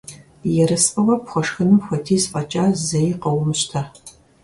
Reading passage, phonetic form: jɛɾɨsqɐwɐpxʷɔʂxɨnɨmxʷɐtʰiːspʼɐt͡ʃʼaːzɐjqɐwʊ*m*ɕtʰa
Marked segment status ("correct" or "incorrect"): correct